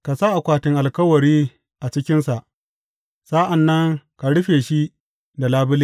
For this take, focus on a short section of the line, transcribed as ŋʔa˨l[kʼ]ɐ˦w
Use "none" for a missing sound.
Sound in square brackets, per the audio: k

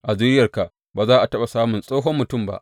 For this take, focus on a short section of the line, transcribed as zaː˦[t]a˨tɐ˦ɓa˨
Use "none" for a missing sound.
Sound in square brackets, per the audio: ʔ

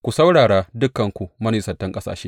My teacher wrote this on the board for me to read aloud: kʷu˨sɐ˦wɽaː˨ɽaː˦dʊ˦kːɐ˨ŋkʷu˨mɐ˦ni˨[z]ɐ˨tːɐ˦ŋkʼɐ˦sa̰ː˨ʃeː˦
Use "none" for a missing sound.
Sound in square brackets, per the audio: s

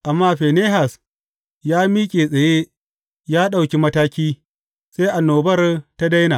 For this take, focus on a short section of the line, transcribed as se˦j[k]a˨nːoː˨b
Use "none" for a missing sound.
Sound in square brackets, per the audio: ʔ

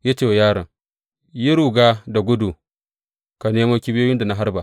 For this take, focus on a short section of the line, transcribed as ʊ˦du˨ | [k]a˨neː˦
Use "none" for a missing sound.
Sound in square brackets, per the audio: k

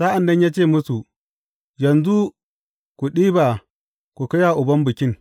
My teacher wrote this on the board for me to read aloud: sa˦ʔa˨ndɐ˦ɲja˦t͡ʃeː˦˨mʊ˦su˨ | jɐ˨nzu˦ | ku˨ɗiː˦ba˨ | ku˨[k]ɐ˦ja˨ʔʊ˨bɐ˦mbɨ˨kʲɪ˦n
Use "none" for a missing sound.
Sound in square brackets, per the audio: k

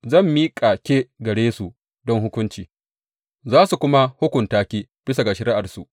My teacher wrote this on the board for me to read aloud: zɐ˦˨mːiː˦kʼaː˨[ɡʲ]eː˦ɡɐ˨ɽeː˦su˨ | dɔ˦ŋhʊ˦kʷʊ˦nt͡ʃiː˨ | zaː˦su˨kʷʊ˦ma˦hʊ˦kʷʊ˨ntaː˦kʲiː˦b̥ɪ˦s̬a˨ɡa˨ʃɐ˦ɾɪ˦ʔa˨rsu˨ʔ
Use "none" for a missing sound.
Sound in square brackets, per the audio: kʲ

